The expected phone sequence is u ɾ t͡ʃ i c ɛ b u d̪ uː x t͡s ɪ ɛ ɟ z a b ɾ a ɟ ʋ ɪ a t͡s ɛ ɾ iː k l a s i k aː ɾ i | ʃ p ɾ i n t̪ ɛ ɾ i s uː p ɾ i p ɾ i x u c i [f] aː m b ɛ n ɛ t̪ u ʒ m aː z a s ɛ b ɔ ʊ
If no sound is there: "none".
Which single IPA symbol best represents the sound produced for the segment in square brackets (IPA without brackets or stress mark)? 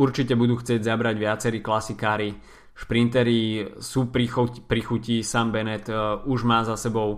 s